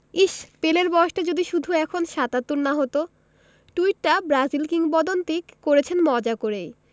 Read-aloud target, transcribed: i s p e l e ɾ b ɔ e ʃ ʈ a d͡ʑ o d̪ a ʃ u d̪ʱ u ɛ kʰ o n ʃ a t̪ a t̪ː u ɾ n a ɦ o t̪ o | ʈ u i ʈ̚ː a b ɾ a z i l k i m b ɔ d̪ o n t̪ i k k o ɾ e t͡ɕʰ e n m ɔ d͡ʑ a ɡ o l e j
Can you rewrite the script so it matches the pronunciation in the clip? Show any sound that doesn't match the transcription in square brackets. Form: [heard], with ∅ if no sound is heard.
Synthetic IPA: i [ʃ] p e l e ɾ b ɔ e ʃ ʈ a d͡ʑ o d̪ [i] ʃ u d̪ʱ u ɛ kʰ o n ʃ a t̪ a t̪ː u ɾ n a ɦ o t̪ o | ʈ u i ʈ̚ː a b ɾ a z i l k i [ŋ] b ɔ d̪ o n t̪ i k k o ɾ e t͡ɕʰ e n m ɔ d͡ʑ a [k] o [ɾ] e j